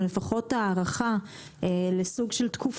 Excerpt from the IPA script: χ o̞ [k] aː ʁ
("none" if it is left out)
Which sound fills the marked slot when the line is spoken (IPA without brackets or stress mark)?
t